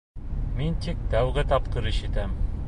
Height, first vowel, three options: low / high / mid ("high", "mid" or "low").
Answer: high